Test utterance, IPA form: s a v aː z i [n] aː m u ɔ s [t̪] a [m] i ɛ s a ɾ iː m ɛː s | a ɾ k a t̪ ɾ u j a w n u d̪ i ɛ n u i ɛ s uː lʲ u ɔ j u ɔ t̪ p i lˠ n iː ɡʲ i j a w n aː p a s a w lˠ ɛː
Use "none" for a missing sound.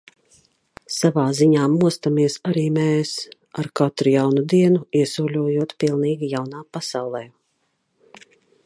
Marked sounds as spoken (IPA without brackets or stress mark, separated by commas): ɲ, t̪, m